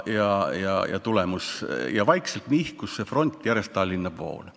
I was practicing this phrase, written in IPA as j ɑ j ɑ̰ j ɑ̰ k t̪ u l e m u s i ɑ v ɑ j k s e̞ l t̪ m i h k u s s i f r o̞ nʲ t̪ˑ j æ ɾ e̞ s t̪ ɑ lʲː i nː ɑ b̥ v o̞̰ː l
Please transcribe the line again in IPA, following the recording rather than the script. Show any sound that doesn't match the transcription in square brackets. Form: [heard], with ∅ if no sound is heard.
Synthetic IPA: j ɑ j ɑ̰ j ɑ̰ [∅] t̪ u l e m u s [j] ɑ v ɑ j k s e̞ l t̪ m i h k u s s [e] f r o̞ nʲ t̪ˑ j æ ɾ e̞ s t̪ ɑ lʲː i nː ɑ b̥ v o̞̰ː l